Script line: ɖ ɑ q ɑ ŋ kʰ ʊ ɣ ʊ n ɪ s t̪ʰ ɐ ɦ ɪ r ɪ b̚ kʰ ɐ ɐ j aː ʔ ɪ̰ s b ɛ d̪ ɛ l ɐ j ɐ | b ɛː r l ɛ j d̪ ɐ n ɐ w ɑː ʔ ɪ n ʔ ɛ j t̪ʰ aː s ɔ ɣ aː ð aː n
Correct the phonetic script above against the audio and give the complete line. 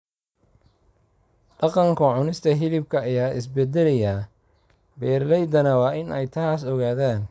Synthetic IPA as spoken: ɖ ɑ q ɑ ŋ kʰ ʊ ʕ ʊ n ɪ s t̪ʰ ɐ ɦ ɪ l ɪ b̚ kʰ ɐ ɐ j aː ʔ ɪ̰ s b ɛ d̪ ɛ l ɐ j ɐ | b ɛː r l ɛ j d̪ ɐ n ɐ w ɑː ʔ ɪ n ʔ ɛ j t̪ʰ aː s ɔ ɣ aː ð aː n